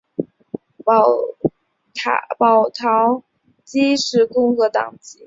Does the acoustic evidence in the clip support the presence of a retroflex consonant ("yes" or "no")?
yes